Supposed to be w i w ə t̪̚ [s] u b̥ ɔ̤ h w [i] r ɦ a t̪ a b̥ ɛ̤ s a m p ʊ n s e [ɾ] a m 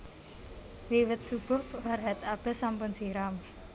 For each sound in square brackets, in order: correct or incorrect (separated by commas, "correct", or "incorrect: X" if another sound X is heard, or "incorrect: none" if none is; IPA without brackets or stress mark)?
correct, incorrect: a, correct